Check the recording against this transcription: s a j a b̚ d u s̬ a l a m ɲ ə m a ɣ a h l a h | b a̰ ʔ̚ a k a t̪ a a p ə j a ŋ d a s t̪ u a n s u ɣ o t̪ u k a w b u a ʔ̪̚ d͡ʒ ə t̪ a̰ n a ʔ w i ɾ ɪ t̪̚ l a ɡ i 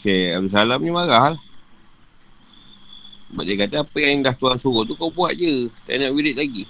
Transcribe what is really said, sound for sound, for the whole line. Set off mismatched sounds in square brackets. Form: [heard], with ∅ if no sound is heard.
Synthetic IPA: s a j a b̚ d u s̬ a l a m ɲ ə m a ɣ a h l a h | b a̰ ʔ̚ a k a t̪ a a p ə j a ŋ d a [h] t̪ u a n s u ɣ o t̪ u k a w b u a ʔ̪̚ d͡ʒ ə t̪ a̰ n a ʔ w i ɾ ɪ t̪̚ l a ɡ i